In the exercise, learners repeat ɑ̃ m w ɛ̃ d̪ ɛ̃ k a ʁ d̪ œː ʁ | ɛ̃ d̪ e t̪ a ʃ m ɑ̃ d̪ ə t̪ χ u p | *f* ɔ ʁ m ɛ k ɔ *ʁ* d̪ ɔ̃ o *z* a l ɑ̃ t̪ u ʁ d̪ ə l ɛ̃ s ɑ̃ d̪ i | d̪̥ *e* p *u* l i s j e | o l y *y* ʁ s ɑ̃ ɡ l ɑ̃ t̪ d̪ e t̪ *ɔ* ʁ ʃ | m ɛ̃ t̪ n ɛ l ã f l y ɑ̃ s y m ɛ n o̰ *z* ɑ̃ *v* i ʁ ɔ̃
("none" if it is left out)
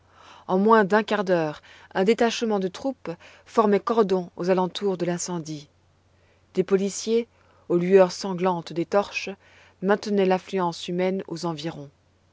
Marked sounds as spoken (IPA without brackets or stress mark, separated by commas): f, ʁ, z, e, ɔ, œ, ɔ, z, v